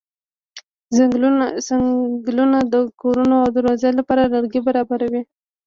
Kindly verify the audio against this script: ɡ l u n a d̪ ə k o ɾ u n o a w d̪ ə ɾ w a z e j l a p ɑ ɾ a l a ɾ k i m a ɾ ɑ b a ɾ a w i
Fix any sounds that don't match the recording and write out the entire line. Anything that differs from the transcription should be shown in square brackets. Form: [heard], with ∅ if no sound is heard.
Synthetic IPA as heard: ɡ l u n a d̪ ə k o ɾ u n o a w d̪ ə ɾ w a z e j l a p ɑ ɾ a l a ɾ [ɡ] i [b] a ɾ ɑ b a ɾ a w i